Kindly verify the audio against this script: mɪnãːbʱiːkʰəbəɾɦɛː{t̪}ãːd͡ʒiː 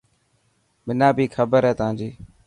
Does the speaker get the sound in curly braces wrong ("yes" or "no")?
no